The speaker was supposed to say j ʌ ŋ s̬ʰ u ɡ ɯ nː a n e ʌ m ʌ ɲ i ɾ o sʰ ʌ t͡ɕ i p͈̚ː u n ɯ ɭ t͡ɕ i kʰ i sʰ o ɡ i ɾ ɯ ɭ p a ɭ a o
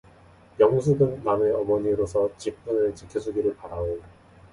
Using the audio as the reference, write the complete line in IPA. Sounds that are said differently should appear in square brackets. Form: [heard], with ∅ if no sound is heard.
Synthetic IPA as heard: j ʌ ŋ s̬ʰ u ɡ ɯ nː a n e ʌ m ʌ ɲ i ɾ o sʰ ʌ t͡ɕ i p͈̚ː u n ɯ ɭ t͡ɕ i kʰ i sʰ [u] ɡ i ɾ ɯ ɭ p a [ɾ] a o